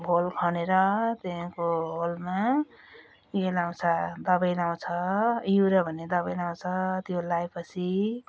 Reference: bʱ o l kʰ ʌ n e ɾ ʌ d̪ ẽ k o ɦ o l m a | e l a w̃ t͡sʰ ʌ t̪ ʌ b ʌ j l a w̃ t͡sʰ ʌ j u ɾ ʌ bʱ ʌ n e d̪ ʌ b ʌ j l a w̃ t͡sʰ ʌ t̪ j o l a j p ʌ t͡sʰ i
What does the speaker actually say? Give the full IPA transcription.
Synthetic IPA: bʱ o l kʰ ʌ n e ɾ ʌ t̪ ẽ k o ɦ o l m a | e l a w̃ t͡sʰ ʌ d̪ ʌ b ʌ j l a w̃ t͡sʰ ʌ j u ɾ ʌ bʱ ʌ n e d̪ ʌ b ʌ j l a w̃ t͡sʰ ʌ t̪ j o l a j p ʌ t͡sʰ i

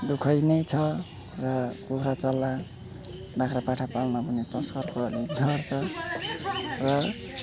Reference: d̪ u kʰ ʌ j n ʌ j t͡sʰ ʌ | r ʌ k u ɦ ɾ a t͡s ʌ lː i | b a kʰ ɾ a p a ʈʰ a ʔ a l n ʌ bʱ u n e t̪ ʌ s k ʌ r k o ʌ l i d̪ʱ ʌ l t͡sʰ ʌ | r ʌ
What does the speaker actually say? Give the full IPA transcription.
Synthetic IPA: d̪ u kʰ ʌ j n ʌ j t͡sʰ ʌ | r ʌ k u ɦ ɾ a t͡s ʌ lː a | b a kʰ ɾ a p a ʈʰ a p a l n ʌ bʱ u n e t̪ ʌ s k ʌ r k o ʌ l i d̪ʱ ʌ r t͡sʰ ʌ | r ʌ

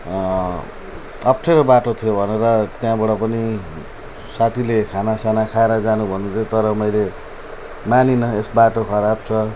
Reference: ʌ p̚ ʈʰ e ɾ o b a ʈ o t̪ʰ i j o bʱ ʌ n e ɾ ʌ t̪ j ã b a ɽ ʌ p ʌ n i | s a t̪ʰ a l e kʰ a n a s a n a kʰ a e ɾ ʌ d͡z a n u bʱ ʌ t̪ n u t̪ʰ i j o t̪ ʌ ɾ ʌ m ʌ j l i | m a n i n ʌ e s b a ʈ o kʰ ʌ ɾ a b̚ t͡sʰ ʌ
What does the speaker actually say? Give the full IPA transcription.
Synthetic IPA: ʌ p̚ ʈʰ e ɾ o b a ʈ o t̪ʰ i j o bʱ ʌ n e ɾ ʌ t̪ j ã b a ɽ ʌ p ʌ n i | s a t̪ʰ i l e kʰ a n a s a n a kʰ a e ɾ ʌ d͡z a n u bʱ ʌ n u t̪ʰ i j o t̪ ʌ ɾ ʌ m ʌ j l e | m a n i n ʌ e s b a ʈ o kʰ ʌ ɾ a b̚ t͡sʰ ʌ

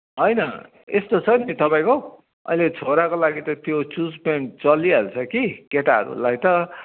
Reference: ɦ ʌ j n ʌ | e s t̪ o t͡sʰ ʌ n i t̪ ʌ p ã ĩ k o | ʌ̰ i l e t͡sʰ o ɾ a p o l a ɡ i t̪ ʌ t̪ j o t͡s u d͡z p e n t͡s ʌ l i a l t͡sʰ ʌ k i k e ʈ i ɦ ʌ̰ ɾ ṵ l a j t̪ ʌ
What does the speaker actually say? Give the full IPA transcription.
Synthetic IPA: ɦ ʌ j n ʌ | e s t̪ o t͡sʰ ʌ n i t̪ ʌ p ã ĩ k o | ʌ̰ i l e t͡sʰ o ɾ a k o l a ɡ i t̪ ʌ t̪ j o t͡s u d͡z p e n t͡s ʌ l i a l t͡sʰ ʌ k i k e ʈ a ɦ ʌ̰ ɾ ṵ l a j t̪ ʌ

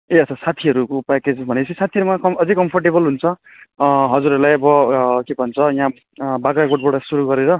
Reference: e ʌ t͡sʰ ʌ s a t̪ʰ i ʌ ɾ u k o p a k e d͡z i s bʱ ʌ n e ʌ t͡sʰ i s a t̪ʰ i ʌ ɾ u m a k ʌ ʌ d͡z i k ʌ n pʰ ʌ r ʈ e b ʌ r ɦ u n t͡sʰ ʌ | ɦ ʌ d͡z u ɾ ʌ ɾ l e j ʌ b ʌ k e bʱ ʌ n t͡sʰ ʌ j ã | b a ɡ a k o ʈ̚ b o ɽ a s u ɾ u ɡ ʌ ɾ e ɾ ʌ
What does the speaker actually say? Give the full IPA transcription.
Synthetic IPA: e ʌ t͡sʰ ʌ s a t̪ʰ i ʌ ɾ u k o p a k e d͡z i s bʱ ʌ n e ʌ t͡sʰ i s a t̪ʰ i ʌ ɾ u m a k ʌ ʌ d͡z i k ʌ m pʰ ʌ r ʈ e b ʌ l ɦ u n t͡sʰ ʌ | ɦ ʌ d͡z u ɾ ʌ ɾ l a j ʌ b ʌ k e bʱ ʌ n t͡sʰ ʌ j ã | b a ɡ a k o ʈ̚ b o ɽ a s u ɾ u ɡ ʌ ɾ e ɾ ʌ

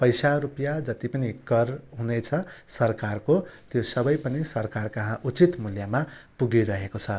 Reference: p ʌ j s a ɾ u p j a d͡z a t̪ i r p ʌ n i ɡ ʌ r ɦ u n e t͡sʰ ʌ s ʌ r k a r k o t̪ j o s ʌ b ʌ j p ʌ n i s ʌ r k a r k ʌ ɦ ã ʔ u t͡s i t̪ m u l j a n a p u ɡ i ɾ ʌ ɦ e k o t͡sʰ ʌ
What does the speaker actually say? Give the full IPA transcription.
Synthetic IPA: p ʌ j s a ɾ u p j a d͡z ʌ t̪ i p ʌ n i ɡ ʌ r ɦ u n e t͡sʰ ʌ s ʌ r k a r k o t̪ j o s ʌ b ʌ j p ʌ n i s ʌ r k a r k ʌ ɦ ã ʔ u t͡s i t̪ m u l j a m a p u ɡ i ɾ ʌ ɦ e k o t͡sʰ ʌ

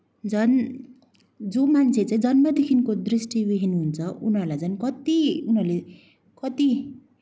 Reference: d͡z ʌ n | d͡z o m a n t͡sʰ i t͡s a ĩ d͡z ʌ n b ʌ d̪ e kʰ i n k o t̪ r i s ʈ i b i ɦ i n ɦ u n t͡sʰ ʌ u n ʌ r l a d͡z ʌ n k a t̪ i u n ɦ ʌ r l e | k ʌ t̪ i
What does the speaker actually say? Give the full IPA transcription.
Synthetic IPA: d͡z ʌ n | d͡z o m a n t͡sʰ e t͡s a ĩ d͡z ʌ n m ʌ d̪ e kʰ i n k o d̪ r i s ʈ i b i ɦ i n ɦ u n t͡sʰ ʌ u n ʌ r l a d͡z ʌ n k ʌ t̪ i u n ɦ ʌ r l e | k ʌ t̪ i

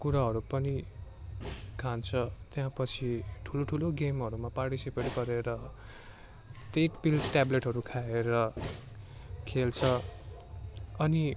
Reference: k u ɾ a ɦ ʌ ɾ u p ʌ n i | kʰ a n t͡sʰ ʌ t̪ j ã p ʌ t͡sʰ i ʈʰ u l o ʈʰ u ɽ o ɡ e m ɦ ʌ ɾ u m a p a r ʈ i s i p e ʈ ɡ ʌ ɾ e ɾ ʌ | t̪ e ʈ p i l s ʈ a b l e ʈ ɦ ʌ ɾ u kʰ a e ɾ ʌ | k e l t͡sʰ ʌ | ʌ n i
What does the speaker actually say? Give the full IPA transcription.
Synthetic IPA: k u ɾ a ɦ ʌ ɾ u p ʌ n i | kʰ a n t͡sʰ ʌ t̪ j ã p ʌ t͡sʰ i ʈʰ u l o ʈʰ u l o ɡ e m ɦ ʌ ɾ u m a p a r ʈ i s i p e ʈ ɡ ʌ ɾ e ɾ ʌ | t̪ e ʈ p i l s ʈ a b l e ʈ ɦ ʌ ɾ u kʰ a e ɾ ʌ | kʰ e l t͡sʰ ʌ | ʌ n i

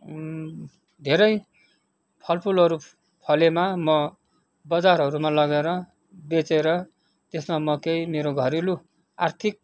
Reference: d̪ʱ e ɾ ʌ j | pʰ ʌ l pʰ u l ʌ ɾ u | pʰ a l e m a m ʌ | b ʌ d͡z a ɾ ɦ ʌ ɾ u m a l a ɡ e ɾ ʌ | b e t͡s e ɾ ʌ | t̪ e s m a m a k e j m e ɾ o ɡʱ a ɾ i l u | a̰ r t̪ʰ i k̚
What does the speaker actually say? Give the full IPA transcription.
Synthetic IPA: d̪ʱ e ɾ ʌ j | pʰ ʌ l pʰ u l ʌ ɾ u | pʰ ʌ l e m a m ʌ | b ʌ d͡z a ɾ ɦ ʌ ɾ u m a l ʌ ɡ e ɾ ʌ | b e t͡s e ɾ ʌ | t̪ e s m a m ʌ k e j m e ɾ o ɡʱ ʌ ɾ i l u | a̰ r t̪ʰ i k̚

